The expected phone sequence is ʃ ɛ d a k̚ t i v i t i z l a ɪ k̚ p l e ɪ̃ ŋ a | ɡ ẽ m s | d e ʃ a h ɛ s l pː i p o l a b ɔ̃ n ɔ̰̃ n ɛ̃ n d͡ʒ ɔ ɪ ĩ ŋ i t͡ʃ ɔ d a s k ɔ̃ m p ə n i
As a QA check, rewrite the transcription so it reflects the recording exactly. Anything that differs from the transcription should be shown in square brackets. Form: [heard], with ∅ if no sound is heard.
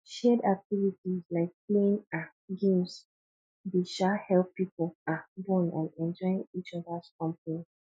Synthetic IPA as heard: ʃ ɛ d a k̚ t i v i t i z l a ɪ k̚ p l e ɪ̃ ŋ a | ɡ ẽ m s | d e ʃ a h ɛ [∅] l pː i p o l a b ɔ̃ n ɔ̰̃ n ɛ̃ n d͡ʒ ɔ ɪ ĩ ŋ i t͡ʃ ɔ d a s k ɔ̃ m p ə n i

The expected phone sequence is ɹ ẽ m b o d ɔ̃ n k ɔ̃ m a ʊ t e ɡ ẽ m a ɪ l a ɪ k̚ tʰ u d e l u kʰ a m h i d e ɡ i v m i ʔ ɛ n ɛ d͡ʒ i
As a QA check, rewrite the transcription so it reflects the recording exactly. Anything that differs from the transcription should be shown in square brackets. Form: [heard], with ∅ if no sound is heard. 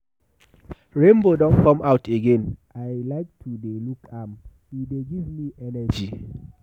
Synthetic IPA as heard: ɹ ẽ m b o d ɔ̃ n k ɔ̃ m a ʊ t e ɡ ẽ [n] a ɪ l a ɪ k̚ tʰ u d e l u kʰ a m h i d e ɡ i v m i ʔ ɛ n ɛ d͡ʒ i

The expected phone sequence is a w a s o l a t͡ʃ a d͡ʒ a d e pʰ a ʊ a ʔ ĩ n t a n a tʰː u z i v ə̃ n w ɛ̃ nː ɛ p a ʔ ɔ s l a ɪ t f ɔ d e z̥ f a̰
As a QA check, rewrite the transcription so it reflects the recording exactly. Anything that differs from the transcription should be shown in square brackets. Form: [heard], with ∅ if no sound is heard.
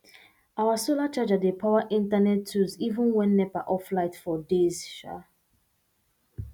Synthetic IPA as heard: a w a s o l a t͡ʃ a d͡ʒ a d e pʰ a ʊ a ʔ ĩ n t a n [ɛ] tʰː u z i v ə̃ n w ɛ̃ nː ɛ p a ʔ ɔ [f] l a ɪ t f ɔ d e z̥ [ʃ] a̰

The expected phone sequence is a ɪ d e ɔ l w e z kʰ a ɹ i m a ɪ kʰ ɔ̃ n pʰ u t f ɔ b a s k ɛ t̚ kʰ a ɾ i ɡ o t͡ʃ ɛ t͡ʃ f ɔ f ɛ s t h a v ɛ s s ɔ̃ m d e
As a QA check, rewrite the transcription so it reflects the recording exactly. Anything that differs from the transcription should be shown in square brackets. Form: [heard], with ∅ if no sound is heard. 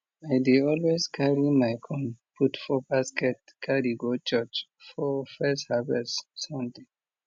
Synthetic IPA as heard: a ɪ d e ɔ l w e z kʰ a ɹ i m a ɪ kʰ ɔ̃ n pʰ u t f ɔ b a s k ɛ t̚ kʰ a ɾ i ɡ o t͡ʃ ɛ t͡ʃ f ɔ f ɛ s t h a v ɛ s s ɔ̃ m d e

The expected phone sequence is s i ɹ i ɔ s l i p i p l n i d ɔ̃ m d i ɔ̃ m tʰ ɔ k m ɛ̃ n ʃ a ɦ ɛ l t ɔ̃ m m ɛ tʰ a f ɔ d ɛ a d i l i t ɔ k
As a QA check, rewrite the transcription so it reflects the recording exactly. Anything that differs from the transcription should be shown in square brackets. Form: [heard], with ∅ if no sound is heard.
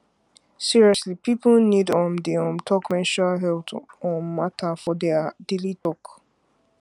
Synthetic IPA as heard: s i ɹ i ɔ s l i p i p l n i d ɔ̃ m d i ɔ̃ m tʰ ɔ k m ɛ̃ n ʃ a ɦ ɛ l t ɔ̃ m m [a] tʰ a f ɔ d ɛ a d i l i t ɔ k

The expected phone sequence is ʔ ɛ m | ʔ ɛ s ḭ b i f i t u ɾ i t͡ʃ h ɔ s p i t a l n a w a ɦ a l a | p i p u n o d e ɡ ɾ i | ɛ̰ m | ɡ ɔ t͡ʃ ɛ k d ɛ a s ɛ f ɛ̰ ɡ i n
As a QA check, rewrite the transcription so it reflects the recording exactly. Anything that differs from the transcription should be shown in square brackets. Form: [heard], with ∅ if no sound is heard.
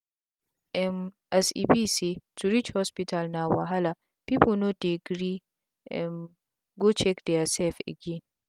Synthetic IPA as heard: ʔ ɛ m | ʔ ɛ s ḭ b i [s] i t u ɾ i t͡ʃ h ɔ s p i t a l n a w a ɦ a l a | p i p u n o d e ɡ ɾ i | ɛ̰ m | ɡ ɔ t͡ʃ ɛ k d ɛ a s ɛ f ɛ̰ ɡ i n

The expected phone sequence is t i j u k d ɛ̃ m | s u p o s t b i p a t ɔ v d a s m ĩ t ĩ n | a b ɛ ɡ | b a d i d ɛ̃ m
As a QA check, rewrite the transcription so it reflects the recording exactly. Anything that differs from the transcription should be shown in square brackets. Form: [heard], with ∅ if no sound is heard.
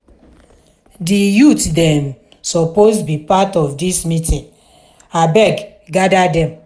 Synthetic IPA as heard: [d] i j u [t] d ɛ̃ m | s [ɔ] p o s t b i p a t ɔ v d [i] s m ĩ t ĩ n | a b ɛ ɡ | [ɡ] a d [a] d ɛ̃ m

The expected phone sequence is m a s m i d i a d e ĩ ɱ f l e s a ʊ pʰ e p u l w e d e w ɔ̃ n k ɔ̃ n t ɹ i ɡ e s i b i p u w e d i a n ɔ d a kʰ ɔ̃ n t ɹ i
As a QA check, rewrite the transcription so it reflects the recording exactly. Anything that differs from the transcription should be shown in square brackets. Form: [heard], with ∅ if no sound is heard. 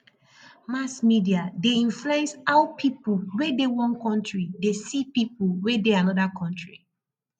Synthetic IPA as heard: m a s m i d i a d e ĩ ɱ f l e s a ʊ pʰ [i] p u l w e d e w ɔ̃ n k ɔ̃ n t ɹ i [d] e s i [p] i p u w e d [e] a n ɔ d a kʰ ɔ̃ n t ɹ i

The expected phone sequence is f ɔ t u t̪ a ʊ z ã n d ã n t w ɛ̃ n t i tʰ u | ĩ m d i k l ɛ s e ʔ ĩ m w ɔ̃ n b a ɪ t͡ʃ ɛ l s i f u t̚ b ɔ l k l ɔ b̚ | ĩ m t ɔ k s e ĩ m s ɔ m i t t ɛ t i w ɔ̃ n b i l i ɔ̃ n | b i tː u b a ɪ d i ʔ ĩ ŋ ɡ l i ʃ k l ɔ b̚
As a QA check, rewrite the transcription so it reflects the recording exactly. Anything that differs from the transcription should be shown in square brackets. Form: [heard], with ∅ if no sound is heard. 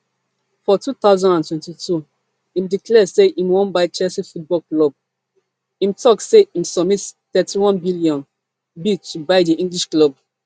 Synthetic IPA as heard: f ɔ t u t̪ a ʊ z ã n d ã n t w ɛ̃ n t i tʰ u | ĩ m d i k l ɛ s e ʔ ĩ m w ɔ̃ n b a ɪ t͡ʃ ɛ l s i f u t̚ b ɔ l k l ɔ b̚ | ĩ m t ɔ k s e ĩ m s ɔ m i t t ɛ t i w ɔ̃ n b i l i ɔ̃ n | b i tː u b a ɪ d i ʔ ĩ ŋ ɡ l i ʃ k l ɔ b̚

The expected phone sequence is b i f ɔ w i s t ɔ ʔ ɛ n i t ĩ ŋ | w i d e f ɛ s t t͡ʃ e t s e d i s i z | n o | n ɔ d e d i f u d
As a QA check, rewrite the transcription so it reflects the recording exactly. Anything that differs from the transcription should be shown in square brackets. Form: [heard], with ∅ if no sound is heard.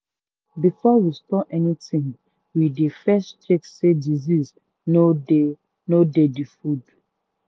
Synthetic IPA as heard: b i f ɔ w i s t ɔ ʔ ɛ n i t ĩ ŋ | w i d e f ɛ s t t͡ʃ e [k] s e d i [z] i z | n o | n [o] d e d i f u d

